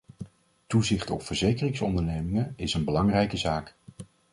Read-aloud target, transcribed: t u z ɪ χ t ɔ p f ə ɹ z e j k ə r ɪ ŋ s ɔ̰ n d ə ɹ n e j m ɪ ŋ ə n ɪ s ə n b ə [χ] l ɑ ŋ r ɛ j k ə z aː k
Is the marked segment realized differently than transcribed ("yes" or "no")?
yes